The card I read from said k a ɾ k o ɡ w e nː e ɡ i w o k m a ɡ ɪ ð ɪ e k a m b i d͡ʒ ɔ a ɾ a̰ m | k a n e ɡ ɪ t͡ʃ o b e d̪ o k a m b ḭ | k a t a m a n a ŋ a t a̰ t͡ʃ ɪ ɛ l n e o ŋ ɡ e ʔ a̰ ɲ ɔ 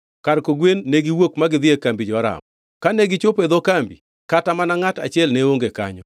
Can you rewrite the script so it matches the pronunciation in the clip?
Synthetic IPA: k a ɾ k o ɡ w e nː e ɡ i w o k m a ɡ ɪ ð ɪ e k a m b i d͡ʒ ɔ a ɾ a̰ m | k a n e ɡ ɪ t͡ʃ o p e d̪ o k a m b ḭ | k a t a m a n a ŋ a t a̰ t͡ʃ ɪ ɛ l n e o ŋ ɡ e k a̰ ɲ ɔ

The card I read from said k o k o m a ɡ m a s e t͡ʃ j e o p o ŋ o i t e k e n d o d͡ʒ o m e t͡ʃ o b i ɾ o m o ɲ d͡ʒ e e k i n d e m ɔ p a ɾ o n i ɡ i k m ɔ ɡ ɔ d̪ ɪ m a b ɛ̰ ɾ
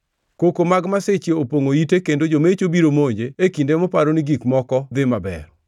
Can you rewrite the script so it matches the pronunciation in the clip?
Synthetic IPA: k o k o m a ɡ m a s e t͡ʃ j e o p o ŋ o i t e k e n d o d͡ʒ o m e t͡ʃ o b i ɾ o m o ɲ d͡ʒ e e k i n d e m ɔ p a ɾ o n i ɡ i k m ɔ k ɔ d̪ ɪ m a b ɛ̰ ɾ

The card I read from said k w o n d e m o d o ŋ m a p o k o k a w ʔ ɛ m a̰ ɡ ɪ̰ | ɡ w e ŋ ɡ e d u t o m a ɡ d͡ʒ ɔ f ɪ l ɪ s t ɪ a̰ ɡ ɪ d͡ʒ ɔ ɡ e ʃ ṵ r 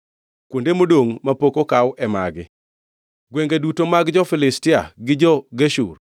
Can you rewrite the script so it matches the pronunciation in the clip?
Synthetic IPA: k w o n d e m o d o ŋ m a p o k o k a w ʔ ɛ m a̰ ɡ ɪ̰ | ɡ w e ŋ ɡ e d u t o m a ɡ d͡ʒ ɔ f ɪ l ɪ s t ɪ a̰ ɡ ɪ d͡ʒ ɔ ɡ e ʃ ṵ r

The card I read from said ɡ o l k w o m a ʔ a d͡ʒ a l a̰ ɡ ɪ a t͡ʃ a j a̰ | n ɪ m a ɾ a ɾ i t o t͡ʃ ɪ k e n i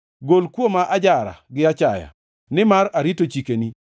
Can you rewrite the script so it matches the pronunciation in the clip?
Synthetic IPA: ɡ o l k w o m a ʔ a d͡ʒ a ɾ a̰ ɡ ɪ a t͡ʃ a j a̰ | n ɪ m a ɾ a ɾ i t o t͡ʃ i k e n i

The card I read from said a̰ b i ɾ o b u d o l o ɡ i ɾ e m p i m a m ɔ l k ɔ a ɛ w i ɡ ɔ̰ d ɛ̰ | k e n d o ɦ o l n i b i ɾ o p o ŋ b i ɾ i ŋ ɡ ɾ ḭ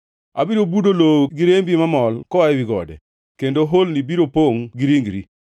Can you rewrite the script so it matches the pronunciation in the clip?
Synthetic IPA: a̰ b i ɾ o b u d o l o ɡ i ɾ e m b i m a m ɔ l k ɔ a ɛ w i ɡ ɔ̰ d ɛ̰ | k e n d o ɦ o l n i b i ɾ o p o ŋ ɡ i ɾ i ŋ ɡ ɾ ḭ

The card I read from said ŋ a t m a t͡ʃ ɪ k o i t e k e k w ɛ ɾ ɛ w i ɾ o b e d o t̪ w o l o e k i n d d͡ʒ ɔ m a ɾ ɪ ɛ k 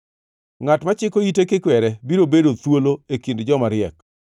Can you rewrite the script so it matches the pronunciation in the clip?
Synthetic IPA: ŋ a t m a t͡ʃ ɪ k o i t e k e k w ɛ ɾ ɛ b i ɾ o b e d o t̪ w o l o e k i n d d͡ʒ ɔ m a ɾ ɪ ɛ k

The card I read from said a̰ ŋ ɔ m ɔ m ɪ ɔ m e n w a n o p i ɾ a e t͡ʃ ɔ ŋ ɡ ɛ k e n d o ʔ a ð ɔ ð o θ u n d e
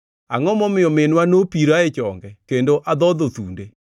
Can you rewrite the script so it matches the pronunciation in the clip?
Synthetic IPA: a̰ ŋ ɔ m ɔ m ɪ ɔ m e n w a n o p i ɾ a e t͡ʃ ɔ ŋ ɡ ɛ k e n d o ʔ a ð ɔ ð o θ u n d e

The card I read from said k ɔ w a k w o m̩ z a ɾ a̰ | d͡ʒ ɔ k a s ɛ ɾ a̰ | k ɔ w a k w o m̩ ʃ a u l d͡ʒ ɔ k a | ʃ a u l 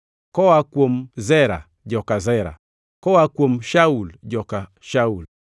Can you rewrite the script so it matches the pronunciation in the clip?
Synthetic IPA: k ɔ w a k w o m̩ z ɛ ɾ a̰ | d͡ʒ ɔ k a z ɛ ɾ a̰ | k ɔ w a k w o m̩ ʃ a u l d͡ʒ ɔ k a | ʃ a u l

